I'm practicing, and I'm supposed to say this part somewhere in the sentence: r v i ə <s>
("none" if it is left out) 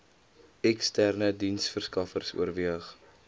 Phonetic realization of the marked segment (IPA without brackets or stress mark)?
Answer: χ